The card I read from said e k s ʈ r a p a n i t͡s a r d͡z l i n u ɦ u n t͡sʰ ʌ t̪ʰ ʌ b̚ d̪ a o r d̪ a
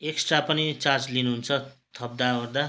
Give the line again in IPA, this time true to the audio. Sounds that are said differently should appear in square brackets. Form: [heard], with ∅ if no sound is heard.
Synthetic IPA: e k s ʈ r a p [ʌ] n i t͡s a r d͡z l i n u ɦ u n t͡sʰ ʌ t̪ʰ ʌ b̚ d̪ a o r d̪ a